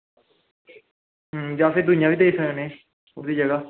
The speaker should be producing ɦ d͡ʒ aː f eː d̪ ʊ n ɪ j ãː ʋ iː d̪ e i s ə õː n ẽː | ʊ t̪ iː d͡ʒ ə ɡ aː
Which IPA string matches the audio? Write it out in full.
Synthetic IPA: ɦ d͡ʒ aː f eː d̪ ʊ n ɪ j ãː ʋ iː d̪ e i s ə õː n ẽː | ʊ d̪ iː d͡ʒ ə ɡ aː